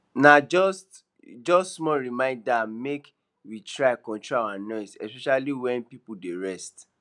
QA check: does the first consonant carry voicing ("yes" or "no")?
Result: yes